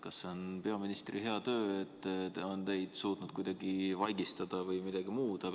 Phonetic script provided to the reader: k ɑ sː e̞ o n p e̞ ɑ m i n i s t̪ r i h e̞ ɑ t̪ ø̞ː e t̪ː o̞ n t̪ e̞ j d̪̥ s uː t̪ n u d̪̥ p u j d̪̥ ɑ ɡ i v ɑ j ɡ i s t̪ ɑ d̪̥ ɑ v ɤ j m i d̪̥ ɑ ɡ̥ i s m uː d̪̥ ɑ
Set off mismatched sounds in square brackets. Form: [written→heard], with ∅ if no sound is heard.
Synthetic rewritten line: k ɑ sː e̞ o n p e̞ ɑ m i n i s t̪ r i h e̞ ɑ t̪ ø̞ː e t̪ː o̞ n t̪ e̞ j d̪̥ s uː t̪ n u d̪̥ [p→k] u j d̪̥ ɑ ɡ i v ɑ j ɡ i s t̪ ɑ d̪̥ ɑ v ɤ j m i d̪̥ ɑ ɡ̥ i [s→∅] m uː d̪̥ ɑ